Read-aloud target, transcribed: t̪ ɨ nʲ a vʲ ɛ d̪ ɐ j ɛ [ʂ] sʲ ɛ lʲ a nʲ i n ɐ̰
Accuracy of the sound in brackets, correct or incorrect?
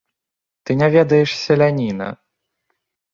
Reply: correct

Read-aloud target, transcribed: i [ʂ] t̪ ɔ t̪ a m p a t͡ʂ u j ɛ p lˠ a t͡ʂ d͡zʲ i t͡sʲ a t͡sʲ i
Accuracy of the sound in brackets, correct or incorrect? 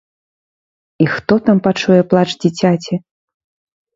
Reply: incorrect: x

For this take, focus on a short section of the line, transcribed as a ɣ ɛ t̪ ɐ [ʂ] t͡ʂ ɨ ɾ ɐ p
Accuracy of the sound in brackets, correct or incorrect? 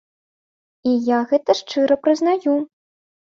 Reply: correct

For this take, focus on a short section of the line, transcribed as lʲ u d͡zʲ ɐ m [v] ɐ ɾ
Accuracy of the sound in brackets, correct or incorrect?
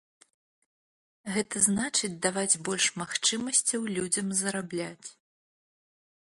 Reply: incorrect: z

